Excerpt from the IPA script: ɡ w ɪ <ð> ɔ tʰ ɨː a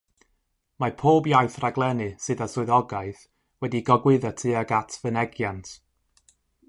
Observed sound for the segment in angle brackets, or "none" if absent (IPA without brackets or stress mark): ð